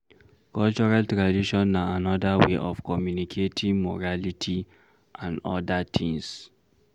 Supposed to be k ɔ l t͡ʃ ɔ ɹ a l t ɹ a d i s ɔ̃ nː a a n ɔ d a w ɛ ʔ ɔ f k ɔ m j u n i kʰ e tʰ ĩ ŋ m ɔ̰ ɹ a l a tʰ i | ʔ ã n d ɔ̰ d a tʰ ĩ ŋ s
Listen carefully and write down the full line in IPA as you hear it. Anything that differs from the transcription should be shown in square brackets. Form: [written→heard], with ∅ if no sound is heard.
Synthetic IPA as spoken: k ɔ l t͡ʃ ɔ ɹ a l t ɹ a d i [s→ʃ] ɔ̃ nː a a n ɔ d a w [ɛ→e] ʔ ɔ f k ɔ m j u n i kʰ e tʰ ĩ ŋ m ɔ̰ ɹ a l [a→i] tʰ i | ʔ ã n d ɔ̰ d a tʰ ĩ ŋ s